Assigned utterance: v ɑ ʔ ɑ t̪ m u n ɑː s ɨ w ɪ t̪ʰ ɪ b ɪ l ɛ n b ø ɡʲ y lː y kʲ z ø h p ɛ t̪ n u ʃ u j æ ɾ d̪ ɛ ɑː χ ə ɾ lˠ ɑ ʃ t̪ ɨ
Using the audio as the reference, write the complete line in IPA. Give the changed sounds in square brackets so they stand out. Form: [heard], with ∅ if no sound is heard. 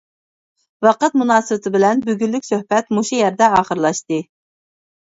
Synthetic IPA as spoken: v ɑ [q] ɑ t̪ m u n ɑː s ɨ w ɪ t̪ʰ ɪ b ɪ l ɛ n b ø ɡʲ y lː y kʲ [s] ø h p ɛ t̪ [m] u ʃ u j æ ɾ d̪ ɛ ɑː χ ə ɾ lˠ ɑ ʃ t̪ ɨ